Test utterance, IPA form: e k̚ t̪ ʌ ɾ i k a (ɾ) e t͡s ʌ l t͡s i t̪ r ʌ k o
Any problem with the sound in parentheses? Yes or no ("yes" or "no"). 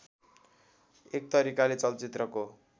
yes